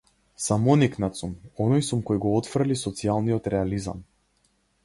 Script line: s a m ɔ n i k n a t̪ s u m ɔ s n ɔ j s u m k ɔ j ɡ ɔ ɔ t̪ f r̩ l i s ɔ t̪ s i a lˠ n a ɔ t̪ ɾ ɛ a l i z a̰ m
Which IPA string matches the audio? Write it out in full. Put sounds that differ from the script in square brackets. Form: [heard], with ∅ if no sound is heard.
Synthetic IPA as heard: s a m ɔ n i k n a t̪ s u m ɔ [∅] n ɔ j s u m k ɔ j ɡ ɔ ɔ t̪ f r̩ l i s ɔ t̪ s i a lˠ n [i] ɔ t̪ ɾ ɛ a l i z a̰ m